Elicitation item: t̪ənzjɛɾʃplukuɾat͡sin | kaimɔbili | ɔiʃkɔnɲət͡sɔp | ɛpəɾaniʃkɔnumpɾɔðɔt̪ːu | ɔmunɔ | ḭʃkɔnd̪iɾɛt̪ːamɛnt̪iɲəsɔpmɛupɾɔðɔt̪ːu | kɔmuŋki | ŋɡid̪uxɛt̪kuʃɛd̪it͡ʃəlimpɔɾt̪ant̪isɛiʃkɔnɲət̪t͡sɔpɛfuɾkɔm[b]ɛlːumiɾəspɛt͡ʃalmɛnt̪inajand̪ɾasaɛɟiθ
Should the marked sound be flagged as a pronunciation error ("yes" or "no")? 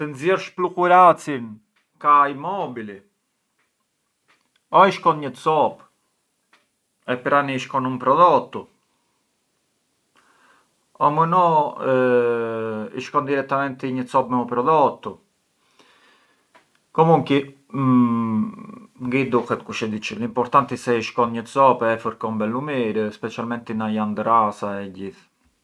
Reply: no